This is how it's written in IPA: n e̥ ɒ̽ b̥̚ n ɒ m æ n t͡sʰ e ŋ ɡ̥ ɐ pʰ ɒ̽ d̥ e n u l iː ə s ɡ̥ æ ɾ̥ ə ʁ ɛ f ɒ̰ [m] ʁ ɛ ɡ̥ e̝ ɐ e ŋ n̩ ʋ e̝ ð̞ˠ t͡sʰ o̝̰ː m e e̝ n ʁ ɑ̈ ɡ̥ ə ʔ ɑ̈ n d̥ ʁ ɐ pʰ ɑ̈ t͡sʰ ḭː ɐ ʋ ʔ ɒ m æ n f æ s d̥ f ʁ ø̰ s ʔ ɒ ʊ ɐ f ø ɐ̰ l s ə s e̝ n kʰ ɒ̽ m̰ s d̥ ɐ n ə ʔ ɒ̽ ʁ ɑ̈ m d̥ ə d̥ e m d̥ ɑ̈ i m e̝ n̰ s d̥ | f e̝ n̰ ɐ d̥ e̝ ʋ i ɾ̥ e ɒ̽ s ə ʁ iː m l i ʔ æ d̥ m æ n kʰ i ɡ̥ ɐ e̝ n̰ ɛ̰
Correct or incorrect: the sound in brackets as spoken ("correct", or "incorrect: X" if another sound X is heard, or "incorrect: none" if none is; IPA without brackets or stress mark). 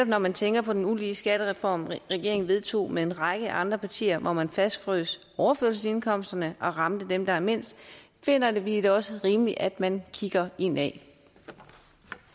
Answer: correct